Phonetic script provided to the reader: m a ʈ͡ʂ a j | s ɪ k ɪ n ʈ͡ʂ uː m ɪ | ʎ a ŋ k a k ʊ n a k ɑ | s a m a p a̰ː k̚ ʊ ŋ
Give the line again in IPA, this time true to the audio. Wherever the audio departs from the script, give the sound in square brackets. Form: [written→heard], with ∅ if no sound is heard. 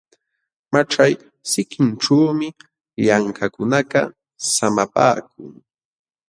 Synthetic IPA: m a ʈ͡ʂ a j | s ɪ k ɪ n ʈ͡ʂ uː m ɪ | ʎ a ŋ k a k ʊ n a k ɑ | s a m a p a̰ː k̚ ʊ ŋ